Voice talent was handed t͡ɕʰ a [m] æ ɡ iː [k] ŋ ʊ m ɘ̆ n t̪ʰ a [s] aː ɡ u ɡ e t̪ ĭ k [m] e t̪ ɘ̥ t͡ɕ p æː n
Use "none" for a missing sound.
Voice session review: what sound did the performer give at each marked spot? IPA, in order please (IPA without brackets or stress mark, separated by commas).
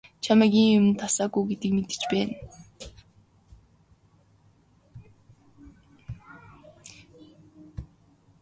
m, none, s, m